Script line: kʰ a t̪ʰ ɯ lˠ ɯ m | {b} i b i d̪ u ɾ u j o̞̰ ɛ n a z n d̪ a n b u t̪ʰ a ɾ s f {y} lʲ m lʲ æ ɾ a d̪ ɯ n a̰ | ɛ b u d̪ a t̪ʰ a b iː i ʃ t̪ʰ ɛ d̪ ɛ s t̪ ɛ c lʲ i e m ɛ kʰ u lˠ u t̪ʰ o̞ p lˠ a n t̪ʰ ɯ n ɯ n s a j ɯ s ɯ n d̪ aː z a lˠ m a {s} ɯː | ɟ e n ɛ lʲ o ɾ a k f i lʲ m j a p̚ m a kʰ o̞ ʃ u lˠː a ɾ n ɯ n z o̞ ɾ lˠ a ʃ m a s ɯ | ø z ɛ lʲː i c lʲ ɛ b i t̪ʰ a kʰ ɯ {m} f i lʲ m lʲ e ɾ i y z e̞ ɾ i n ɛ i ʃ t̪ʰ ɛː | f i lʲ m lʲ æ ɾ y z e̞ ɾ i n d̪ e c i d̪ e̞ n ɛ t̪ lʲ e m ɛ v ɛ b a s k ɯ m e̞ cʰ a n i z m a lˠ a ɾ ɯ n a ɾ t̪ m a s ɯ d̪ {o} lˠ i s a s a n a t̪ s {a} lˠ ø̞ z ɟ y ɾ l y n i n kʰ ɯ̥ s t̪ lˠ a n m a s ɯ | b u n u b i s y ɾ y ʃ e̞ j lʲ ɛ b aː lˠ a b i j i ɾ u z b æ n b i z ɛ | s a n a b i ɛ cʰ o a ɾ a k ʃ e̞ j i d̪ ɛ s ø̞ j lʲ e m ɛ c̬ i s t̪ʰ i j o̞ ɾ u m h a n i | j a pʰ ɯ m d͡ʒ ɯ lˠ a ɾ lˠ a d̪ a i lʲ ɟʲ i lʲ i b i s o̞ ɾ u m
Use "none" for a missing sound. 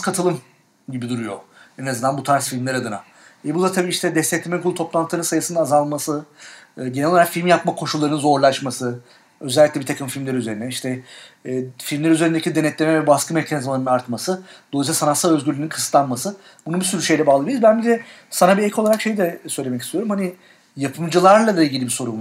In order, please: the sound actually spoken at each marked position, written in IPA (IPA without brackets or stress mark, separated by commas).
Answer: ɟ, i, s, m, o, a